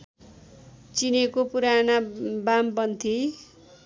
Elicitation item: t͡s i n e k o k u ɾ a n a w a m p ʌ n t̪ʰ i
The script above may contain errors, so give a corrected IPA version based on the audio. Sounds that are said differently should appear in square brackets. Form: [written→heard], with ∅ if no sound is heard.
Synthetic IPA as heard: t͡s i n e k o [k→p] u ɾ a n a [w→b] a m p ʌ n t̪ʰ i